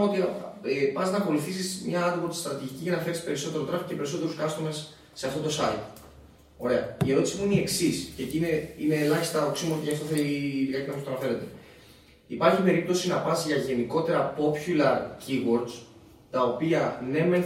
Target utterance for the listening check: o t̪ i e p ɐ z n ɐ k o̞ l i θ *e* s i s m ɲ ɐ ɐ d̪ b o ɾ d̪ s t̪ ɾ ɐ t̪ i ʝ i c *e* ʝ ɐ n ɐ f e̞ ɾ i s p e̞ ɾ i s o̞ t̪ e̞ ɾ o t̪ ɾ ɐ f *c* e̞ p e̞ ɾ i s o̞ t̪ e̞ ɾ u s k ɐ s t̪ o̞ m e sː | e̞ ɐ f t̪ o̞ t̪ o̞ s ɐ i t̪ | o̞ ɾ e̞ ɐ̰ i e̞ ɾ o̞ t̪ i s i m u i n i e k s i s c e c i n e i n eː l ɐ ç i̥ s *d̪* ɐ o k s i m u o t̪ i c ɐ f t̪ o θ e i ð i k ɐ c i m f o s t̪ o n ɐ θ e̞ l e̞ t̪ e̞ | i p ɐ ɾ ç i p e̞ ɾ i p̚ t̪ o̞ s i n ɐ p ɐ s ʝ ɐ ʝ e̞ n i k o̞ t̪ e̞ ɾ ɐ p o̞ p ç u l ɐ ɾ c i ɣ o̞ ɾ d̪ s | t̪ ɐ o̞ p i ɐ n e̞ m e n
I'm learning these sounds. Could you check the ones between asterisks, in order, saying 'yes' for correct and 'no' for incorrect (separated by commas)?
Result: no, no, yes, no